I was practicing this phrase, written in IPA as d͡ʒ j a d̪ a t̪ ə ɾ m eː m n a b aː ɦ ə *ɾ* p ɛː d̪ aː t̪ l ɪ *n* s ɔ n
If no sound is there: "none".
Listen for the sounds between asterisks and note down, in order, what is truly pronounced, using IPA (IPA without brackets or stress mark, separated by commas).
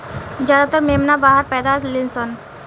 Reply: ɾ, n